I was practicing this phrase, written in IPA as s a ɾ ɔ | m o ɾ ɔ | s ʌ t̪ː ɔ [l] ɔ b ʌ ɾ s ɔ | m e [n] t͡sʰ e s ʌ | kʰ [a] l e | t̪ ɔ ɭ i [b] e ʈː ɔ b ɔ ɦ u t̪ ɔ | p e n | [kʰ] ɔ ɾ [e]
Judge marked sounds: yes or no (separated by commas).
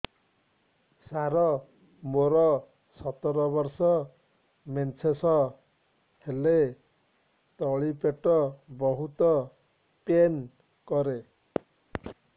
no, yes, no, no, no, yes